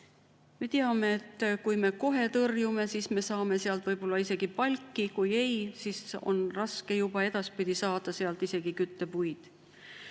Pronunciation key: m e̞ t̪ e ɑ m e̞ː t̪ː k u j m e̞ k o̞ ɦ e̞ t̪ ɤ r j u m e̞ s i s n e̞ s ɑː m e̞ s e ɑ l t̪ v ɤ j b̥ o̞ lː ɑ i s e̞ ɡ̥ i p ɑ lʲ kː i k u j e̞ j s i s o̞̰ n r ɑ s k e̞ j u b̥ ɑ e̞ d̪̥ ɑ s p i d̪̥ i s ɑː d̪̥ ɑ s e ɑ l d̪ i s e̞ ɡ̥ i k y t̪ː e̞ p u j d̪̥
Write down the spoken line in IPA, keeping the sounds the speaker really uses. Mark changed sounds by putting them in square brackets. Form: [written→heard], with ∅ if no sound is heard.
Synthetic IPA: m e̞ t̪ e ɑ m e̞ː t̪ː k u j m e̞ k o̞ ɦ e̞ t̪ ɤ r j u m e̞ s i s [n→m] e̞ s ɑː m e̞ s e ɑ l t̪ v ɤ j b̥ o̞ lː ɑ i s e̞ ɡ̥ i p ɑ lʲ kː i k u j e̞ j s i s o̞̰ n r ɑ s k e̞ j u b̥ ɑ e̞ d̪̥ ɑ s p i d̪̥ i s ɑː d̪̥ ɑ s e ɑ l [d̪→t̪] i s e̞ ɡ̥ i k y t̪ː e̞ p u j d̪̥